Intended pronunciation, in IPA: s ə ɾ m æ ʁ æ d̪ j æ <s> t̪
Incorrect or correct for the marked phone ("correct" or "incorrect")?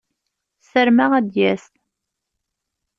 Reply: correct